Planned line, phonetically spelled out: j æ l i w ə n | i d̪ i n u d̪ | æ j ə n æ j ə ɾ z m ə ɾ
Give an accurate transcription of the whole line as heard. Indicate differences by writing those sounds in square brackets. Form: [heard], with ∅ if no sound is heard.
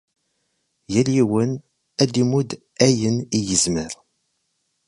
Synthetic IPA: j æ l i w ə n | [æ] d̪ i [m] u d̪ | æ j ə n [i] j ə [∅] z m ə ɾ